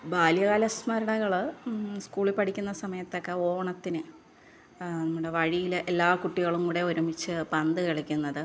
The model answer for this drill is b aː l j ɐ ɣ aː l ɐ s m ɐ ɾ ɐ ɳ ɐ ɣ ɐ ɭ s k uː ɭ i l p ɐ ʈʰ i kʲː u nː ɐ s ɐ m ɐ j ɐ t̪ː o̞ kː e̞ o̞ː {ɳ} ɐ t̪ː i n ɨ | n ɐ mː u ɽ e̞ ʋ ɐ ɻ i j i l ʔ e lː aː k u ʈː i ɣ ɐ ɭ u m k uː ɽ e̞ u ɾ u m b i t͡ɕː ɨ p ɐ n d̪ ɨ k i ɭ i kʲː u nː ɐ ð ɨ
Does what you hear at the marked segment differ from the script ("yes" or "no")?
no